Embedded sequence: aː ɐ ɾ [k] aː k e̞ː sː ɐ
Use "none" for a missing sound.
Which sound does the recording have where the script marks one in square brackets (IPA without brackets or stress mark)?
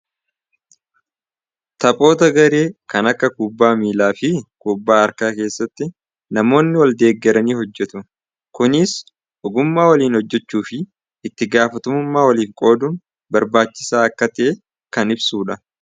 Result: k